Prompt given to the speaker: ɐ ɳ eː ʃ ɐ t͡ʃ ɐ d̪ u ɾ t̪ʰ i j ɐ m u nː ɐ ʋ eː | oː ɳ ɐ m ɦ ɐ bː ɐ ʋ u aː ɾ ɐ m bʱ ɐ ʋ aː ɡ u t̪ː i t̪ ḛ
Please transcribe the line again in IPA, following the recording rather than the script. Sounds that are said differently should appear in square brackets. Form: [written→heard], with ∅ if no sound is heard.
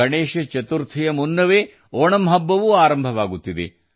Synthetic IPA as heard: ɐ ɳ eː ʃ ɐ t͡ʃ ɐ [d̪→t̪] u ɾ t̪ʰ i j ɐ m u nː ɐ ʋ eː | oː ɳ ɐ m ɦ ɐ bː ɐ ʋ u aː ɾ ɐ m bʱ ɐ ʋ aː ɡ u t̪ː i [t̪→d̪] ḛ